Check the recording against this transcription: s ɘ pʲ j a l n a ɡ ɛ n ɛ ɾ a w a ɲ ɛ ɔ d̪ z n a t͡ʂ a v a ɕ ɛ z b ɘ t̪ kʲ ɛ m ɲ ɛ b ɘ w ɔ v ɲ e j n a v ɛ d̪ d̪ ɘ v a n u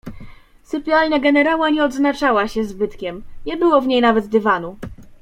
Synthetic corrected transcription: s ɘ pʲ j a l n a ɡ ɛ n ɛ ɾ a w a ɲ ɛ ɔ d̪ z n a t͡ʂ a w a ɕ ɛ z b ɘ t̪ kʲ ɛ m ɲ ɛ b ɘ w ɔ v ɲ e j n a v ɛ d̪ d̪ ɘ v a n u